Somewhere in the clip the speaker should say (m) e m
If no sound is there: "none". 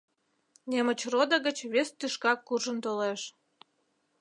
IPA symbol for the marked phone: n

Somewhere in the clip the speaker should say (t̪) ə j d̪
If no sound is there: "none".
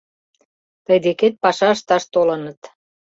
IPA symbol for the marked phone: t̪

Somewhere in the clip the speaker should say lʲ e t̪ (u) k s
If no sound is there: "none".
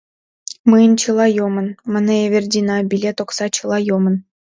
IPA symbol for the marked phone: o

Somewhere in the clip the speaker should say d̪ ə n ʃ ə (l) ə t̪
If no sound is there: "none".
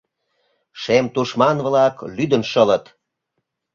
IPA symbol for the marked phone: l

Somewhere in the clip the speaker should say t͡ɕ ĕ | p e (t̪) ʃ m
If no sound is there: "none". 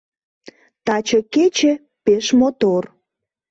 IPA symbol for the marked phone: none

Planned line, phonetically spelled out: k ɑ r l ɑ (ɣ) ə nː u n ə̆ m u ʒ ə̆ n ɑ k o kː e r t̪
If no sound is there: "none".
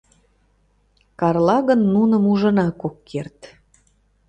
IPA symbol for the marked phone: ɣ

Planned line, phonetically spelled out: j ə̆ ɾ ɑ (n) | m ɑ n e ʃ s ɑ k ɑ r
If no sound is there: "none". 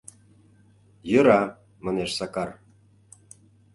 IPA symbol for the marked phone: none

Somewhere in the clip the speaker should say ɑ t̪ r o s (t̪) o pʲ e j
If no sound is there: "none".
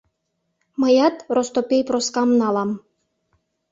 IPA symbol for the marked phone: t̪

